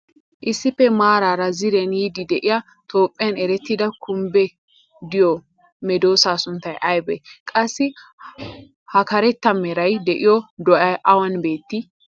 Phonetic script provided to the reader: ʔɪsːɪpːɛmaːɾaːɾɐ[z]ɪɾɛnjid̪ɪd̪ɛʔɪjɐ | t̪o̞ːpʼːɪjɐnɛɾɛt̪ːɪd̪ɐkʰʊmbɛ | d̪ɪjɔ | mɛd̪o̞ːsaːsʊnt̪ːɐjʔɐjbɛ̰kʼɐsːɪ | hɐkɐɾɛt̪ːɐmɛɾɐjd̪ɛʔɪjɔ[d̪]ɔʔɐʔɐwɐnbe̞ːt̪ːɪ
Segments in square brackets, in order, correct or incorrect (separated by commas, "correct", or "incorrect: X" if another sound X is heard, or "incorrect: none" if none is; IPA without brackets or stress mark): correct, correct